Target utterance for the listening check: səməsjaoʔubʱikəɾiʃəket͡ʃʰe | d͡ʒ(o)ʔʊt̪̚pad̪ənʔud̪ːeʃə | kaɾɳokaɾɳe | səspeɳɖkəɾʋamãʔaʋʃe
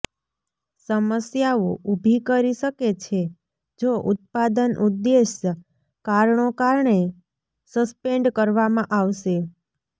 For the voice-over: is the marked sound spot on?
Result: yes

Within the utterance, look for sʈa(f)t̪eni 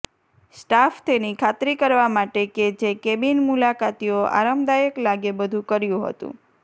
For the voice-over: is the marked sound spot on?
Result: yes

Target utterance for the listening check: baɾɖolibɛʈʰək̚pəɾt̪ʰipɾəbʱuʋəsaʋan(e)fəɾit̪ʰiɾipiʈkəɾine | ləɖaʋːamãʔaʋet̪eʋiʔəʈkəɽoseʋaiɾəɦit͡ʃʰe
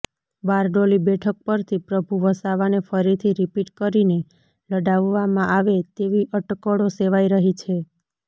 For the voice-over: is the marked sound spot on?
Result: yes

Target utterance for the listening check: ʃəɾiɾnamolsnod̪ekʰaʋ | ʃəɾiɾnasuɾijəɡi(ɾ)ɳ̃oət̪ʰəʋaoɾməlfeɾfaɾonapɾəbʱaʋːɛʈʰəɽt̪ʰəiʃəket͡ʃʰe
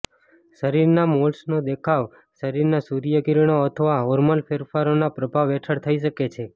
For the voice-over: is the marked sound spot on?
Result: yes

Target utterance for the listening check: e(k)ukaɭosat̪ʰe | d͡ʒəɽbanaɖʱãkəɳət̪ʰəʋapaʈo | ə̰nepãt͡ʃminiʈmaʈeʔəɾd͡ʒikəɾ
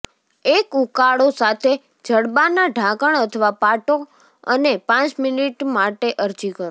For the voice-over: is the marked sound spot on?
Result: yes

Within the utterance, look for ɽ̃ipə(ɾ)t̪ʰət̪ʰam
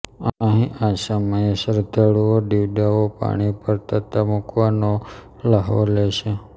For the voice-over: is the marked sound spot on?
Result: yes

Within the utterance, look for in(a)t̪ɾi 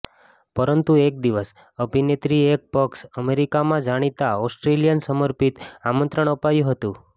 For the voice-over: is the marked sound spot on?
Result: no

